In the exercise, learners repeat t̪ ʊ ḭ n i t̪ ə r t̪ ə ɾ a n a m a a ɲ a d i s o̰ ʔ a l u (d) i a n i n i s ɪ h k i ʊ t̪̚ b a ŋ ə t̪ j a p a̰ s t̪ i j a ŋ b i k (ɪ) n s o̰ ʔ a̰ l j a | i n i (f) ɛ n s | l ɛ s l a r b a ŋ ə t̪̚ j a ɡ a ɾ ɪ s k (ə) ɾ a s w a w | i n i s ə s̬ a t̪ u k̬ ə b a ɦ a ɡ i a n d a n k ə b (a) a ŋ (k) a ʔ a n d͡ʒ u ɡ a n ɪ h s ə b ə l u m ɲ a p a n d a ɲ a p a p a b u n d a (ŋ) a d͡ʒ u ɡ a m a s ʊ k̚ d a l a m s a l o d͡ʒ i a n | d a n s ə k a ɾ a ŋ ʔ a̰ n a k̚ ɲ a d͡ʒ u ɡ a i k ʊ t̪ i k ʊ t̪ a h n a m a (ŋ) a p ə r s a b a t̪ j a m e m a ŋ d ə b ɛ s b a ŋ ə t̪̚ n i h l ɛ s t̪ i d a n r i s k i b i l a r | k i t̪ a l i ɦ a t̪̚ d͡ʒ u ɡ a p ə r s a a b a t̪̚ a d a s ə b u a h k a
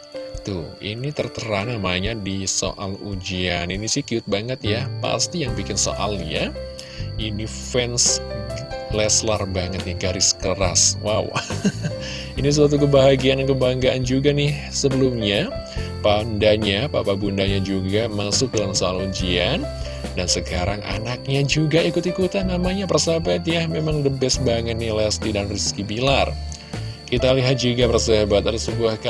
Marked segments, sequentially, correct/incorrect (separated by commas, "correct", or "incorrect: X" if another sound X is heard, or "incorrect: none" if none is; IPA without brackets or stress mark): incorrect: d͡ʒ, correct, correct, correct, correct, incorrect: ɡ, incorrect: ɲ, incorrect: ɲ